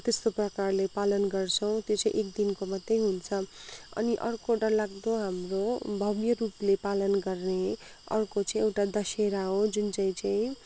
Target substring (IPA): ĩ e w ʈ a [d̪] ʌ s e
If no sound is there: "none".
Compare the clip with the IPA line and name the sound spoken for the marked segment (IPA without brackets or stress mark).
d̪